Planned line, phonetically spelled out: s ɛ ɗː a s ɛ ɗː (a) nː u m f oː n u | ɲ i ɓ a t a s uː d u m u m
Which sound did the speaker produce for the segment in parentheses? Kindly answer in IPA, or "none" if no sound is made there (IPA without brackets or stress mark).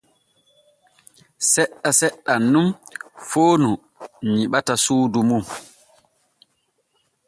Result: a